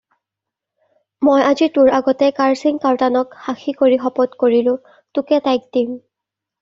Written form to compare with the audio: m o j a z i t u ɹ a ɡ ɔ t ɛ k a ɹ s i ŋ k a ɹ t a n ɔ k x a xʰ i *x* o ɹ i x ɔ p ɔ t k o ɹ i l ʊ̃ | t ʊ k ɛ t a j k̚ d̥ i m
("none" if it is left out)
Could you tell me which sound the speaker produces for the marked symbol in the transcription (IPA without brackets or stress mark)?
k